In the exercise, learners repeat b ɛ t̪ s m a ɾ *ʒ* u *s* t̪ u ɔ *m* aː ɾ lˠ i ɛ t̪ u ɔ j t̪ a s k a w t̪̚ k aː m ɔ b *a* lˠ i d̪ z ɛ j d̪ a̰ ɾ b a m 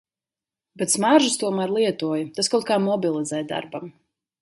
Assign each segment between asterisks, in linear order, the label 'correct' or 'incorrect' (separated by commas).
correct, correct, correct, incorrect